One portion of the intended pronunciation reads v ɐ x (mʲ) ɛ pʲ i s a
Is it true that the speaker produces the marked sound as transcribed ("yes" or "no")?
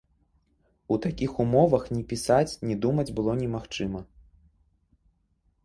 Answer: no